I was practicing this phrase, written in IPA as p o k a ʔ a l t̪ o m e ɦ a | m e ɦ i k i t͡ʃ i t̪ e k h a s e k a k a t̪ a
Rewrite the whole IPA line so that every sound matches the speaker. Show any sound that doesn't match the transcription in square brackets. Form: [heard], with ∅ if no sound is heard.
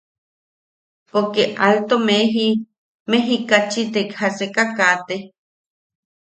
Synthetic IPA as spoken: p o k [e] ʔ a l t̪ o m e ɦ [i] | m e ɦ i k [a] t͡ʃ i t̪ e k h a s e k a k a t̪ [e]